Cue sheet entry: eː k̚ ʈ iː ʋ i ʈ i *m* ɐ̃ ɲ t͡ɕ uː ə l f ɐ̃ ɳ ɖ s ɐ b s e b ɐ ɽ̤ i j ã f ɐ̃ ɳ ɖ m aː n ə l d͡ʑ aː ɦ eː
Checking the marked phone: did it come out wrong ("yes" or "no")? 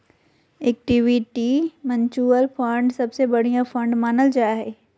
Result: no